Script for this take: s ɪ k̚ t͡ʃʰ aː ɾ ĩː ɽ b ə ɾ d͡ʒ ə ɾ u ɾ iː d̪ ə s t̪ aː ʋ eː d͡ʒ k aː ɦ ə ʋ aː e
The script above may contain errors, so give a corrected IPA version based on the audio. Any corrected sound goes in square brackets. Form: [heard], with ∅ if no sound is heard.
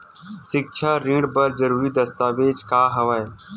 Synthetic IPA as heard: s ɪ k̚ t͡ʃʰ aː ɾ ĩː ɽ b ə ɾ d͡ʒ ə ɾ [uː] ɾ iː d̪ ə s t̪ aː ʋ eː d͡ʒ k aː ɦ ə ʋ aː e